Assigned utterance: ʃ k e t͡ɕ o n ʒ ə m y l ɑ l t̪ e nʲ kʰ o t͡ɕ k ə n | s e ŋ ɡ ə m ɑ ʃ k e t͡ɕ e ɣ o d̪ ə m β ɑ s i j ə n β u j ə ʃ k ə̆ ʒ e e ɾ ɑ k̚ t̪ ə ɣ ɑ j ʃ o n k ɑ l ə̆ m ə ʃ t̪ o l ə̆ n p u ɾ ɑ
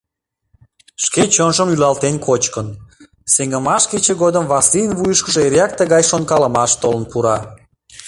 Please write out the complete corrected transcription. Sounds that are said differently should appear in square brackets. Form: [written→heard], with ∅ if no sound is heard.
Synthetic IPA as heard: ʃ k e t͡ɕ o n ʒ ə m y l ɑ l t̪ e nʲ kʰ o t͡ɕ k ə n | s e ŋ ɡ ə m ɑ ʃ k e t͡ɕ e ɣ o d̪ ə m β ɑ s i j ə n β u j ə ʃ k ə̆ ʒ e e ɾ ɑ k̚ t̪ ə ɣ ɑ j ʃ o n k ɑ l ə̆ m [ə→ɑ] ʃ t̪ o l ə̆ n p u ɾ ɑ